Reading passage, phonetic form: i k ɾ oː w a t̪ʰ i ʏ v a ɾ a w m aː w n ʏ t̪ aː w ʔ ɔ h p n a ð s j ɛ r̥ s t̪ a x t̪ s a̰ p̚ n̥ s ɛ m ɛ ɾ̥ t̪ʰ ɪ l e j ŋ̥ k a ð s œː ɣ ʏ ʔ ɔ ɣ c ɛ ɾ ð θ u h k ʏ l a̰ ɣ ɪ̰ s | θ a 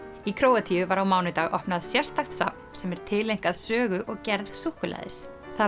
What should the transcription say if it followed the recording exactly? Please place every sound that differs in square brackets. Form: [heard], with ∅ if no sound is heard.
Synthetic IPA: i [kʰ] ɾ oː w a t̪ʰ i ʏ v a ɾ a w m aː w n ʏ t̪ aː [ɣ] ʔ ɔ h p n a ð s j ɛ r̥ s t̪ a x t̪ s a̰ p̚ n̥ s ɛ m ɛ ɾ̥ t̪ʰ ɪ l e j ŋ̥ k a ð s œː ɣ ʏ ʔ ɔ ɣ c ɛ ɾ ð [s] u h k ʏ l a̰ [ð] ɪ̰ s | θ a